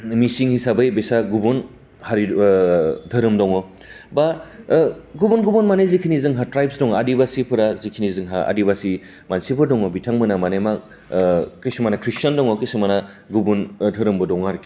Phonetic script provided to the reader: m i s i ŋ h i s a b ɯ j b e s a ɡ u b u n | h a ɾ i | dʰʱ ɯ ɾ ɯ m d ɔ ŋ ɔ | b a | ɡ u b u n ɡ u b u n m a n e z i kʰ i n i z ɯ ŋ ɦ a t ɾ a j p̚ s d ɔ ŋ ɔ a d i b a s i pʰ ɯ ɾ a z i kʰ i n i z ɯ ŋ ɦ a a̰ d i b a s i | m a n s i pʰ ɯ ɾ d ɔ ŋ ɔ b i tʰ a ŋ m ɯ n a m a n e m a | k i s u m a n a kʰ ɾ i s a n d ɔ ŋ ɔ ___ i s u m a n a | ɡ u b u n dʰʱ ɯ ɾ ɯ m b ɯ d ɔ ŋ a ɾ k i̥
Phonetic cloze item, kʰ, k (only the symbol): k